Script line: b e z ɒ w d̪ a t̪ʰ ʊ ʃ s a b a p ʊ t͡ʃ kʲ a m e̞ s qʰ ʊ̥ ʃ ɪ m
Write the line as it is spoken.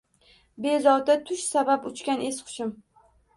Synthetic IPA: b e z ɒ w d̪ a t̪ʰ ʊ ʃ s a b a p ʊ t͡ʃ kʲ a n e̞ s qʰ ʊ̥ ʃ ɪ m

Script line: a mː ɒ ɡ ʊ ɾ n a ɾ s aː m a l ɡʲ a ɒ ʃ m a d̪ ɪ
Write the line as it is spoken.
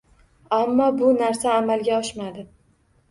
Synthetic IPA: a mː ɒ b ʊ n a ɾ s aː m a l ɡʲ a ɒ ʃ m a d̪ ɪ

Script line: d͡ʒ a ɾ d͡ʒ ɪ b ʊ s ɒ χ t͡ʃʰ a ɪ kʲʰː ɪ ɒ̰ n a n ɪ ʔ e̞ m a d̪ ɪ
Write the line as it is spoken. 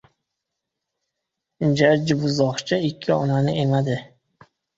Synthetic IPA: d͡ʒ a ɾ d͡ʒ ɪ b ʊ z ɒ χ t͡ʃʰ a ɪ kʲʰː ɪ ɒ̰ n a n ɪ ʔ e̞ m a d̪ ɪ

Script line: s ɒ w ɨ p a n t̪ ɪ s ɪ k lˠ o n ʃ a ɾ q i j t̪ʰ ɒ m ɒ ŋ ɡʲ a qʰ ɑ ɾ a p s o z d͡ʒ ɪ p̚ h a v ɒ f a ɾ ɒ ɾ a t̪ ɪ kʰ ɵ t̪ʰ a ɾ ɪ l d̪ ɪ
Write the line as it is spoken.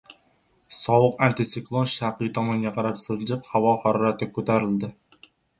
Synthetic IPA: s ɒ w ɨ q a n t̪ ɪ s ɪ k lˠ o n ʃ a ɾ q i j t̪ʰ ɒ m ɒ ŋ ɡʲ a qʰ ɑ ɾ a p s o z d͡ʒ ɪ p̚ h a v ɒ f a ɾ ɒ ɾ a t̪ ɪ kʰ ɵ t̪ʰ a ɾ ɪ l d̪ ɪ

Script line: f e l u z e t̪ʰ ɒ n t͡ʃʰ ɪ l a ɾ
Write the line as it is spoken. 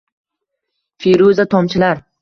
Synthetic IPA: f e ɾ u z a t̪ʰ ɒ m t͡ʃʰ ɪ l a ɾ

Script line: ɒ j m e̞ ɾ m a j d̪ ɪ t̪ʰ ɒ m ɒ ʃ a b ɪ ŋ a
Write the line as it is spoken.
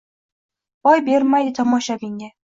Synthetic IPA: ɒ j b e̞ ɾ m a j d̪ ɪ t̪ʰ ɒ m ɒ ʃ a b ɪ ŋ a

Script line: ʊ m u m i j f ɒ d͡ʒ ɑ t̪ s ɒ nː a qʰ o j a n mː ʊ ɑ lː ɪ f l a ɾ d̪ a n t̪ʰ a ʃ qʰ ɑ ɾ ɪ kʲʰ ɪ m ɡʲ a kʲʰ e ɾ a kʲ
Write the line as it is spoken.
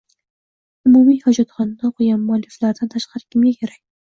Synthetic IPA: ʊ m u m i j h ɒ d͡ʒ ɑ t̪ χ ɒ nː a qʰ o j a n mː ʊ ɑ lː ɪ f l a ɾ d̪ a n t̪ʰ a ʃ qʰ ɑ ɾ ɪ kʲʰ ɪ m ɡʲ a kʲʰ e ɾ a kʲ

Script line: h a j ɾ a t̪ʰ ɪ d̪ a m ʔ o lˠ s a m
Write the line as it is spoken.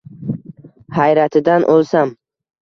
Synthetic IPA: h a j ɾ a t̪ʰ ɪ d̪ a n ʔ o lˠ s a m

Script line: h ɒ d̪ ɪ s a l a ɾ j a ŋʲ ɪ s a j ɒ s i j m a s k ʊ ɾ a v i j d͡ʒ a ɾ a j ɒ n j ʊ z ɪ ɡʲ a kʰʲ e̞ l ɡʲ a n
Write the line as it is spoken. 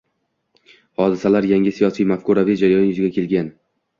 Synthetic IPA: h ɒ d̪ ɪ s a l a ɾ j a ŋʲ ɪ s i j ɒ s i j m a f k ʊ ɾ a v i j d͡ʒ a ɾ a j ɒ n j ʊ z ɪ ɡʲ a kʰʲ e̞ l ɡʲ a n

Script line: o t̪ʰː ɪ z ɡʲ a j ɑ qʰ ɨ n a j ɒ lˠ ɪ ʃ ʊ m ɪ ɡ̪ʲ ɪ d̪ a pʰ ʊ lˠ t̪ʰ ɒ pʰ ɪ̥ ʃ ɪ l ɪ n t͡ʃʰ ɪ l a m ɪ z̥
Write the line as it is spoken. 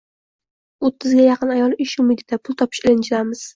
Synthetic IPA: o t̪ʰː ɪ z ɡʲ a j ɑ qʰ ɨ n a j ɒ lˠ ɪ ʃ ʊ m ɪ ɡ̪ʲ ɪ d̪ a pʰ ʊ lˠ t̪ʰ ɒ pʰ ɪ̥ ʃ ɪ l ɪ n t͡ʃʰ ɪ l a m ɪ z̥

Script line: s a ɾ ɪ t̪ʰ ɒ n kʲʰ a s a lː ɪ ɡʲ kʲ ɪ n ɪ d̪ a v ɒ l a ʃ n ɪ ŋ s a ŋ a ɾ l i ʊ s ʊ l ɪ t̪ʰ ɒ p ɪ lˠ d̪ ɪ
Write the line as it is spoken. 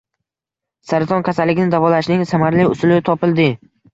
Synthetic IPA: s a ɾ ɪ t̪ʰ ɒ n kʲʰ a s a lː ɪ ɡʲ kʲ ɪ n ɪ d̪ a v ɒ l a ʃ n ɪ ŋ s a m a ɾ l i ʊ s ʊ l ɪ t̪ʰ ɒ p ɪ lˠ d̪ ɪ

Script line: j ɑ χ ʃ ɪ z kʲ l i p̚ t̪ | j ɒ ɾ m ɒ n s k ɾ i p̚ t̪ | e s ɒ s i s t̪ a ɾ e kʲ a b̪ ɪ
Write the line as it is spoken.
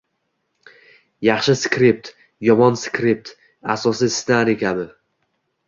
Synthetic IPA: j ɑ χ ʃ ɪ s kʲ ɾ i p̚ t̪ | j ɒ m ɒ n s k ɾ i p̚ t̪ | a s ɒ s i s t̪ a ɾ e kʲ a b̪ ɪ

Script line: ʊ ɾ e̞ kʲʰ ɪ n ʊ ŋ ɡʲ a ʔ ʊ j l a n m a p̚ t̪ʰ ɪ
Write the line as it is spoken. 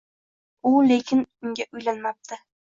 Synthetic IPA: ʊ l e̞ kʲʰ ɪ n ʊ ŋ ɡʲ a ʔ ʊ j l a n m a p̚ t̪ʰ ɪ

